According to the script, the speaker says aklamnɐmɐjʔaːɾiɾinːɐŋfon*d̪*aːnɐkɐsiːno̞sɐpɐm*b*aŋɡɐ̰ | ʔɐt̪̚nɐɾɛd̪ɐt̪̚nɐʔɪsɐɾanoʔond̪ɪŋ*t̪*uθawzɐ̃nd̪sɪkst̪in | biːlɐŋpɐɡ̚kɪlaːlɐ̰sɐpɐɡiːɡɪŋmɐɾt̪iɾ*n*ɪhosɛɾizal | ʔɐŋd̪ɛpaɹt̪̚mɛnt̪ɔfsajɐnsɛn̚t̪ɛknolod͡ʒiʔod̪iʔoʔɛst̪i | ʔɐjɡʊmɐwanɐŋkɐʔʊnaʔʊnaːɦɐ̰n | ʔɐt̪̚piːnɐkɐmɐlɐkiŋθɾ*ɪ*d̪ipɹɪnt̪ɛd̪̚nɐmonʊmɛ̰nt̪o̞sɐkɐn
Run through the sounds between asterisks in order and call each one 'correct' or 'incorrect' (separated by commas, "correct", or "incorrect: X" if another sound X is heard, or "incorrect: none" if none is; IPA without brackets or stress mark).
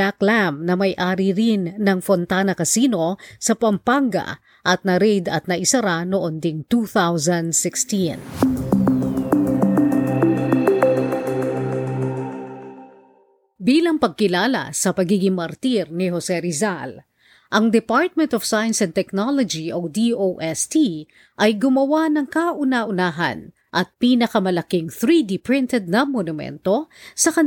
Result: incorrect: t̪, incorrect: p, correct, correct, incorrect: i